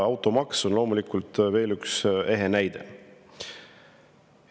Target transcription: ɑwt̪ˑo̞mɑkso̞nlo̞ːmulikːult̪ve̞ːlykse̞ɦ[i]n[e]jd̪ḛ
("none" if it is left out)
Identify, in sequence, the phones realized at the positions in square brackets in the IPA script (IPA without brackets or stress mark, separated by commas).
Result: e, æ